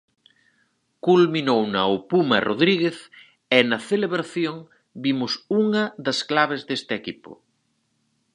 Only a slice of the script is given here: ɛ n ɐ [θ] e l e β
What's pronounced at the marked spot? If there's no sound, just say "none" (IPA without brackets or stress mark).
θ